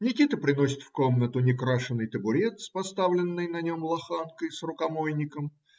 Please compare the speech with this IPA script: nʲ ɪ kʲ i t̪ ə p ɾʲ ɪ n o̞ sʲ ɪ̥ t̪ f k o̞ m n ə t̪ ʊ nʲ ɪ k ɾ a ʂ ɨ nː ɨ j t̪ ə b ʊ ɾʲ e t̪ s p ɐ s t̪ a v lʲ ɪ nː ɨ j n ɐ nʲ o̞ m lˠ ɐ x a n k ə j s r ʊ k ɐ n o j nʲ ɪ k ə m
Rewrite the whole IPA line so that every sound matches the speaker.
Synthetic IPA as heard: nʲ ɪ kʲ i t̪ ə p ɾʲ ɪ n o̞ sʲ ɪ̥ t̪ f k o̞ m n ə t̪ ʊ nʲ ɪ k ɾ a ʂ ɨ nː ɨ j t̪ ə b ʊ ɾʲ e t̪ s p ɐ s t̪ a v lʲ ɪ nː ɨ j n ɐ nʲ o̞ m lˠ ɐ x a n k ə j s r ʊ k ɐ m o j nʲ ɪ k ə m